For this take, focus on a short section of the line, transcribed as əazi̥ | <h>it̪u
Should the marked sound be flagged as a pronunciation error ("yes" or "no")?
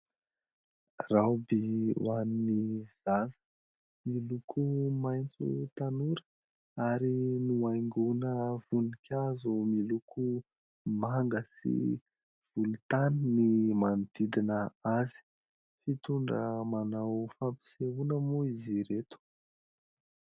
yes